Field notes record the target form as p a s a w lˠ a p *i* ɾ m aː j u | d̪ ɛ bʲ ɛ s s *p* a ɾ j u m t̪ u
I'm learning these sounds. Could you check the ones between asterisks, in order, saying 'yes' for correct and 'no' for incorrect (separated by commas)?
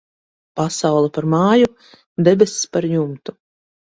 no, yes